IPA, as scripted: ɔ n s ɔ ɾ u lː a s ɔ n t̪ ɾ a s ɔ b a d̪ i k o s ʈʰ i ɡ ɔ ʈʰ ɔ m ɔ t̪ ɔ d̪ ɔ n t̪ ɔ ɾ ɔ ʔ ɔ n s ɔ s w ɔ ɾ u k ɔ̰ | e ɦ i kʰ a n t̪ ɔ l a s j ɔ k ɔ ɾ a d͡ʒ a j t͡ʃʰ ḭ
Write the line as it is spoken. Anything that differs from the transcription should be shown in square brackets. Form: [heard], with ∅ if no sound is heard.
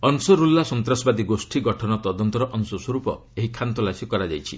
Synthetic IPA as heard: ɔ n s ɔ ɾ u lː a s ɔ n t̪ ɾ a s ɔ b a d̪ i [ɡ] o s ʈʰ i ɡ ɔ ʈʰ ɔ [n] ɔ t̪ ɔ d̪ ɔ n t̪ ɔ ɾ ɔ ʔ ɔ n s ɔ s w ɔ ɾ u [p] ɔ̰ | e ɦ i kʰ a n t̪ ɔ l a s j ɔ k ɔ ɾ a d͡ʒ a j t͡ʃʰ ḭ